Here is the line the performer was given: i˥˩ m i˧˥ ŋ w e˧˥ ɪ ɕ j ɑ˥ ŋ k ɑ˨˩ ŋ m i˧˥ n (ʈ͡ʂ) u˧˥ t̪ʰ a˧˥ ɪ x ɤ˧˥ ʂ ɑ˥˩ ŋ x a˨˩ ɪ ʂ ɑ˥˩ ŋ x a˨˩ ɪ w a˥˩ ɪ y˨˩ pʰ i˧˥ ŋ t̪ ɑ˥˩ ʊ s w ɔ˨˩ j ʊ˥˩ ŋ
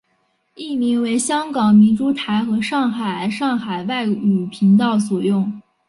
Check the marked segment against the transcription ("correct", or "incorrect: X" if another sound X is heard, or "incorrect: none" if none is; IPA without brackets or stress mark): correct